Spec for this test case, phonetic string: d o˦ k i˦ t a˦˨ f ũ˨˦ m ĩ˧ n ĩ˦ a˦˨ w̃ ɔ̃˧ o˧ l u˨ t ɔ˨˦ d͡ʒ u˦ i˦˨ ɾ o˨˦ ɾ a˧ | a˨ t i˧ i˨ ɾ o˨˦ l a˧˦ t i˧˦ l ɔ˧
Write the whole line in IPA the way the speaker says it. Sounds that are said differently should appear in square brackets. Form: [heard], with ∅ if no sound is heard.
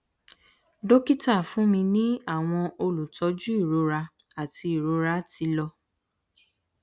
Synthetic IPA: d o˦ k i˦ t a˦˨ f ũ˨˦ m ĩ˧ n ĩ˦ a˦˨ w̃ ɔ̃˧ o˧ l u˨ t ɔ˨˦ d͡ʒ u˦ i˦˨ ɾ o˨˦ ɾ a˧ | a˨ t i˧ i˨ ɾ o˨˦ [ɾ] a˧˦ t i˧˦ l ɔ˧